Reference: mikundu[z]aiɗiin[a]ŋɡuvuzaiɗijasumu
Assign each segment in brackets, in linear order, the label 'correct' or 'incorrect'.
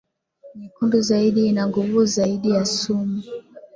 correct, correct

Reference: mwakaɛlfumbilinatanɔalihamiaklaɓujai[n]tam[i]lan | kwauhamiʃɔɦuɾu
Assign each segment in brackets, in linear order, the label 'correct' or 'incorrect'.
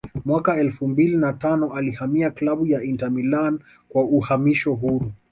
correct, correct

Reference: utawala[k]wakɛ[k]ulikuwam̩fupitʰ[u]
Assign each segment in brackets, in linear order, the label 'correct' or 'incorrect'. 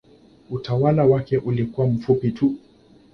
incorrect, incorrect, correct

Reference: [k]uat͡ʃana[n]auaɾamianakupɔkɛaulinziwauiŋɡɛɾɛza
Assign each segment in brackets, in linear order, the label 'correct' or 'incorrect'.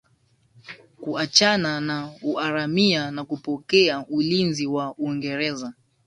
correct, correct

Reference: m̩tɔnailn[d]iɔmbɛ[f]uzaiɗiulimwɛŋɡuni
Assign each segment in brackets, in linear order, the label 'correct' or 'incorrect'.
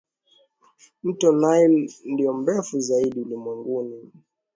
correct, correct

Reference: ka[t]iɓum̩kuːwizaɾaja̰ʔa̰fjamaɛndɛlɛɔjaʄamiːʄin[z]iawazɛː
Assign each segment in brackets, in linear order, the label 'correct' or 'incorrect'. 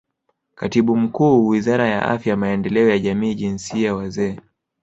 correct, incorrect

